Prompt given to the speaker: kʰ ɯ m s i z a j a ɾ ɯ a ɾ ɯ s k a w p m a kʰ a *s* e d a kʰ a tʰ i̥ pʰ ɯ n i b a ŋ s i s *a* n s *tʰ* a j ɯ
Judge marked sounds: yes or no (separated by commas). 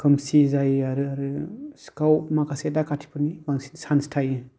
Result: yes, yes, yes